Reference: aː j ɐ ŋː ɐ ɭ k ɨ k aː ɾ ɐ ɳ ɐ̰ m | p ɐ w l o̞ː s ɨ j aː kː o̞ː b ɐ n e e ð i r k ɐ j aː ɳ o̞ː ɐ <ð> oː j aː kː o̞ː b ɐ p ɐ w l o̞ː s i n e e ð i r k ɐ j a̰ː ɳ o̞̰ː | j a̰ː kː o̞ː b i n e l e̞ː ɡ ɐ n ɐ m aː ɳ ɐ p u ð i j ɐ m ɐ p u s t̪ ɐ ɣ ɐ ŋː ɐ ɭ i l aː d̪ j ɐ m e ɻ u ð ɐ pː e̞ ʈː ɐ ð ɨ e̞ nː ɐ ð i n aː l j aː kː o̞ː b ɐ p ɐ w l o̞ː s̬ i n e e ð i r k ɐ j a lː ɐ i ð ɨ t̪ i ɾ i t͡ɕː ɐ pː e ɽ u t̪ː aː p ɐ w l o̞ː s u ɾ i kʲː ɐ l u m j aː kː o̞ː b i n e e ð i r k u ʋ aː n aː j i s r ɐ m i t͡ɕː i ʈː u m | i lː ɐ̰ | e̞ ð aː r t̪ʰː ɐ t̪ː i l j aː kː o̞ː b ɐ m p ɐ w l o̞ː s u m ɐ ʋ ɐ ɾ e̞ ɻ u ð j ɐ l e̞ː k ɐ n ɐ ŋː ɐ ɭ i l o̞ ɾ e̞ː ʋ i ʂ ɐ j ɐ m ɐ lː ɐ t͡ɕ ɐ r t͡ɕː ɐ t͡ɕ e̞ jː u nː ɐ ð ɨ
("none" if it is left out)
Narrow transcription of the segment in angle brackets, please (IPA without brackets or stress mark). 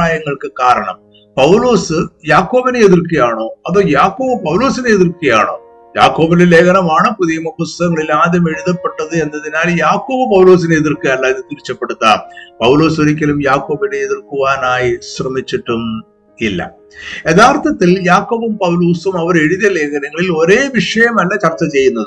ð